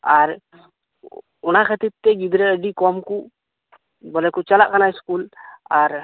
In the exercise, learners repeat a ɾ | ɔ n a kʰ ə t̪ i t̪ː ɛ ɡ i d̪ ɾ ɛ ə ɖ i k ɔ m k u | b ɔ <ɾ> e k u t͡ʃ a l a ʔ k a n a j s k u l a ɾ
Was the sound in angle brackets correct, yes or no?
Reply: no